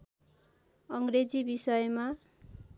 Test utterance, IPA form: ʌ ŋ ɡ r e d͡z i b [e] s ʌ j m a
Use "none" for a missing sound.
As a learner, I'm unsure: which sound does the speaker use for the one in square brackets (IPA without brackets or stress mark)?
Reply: i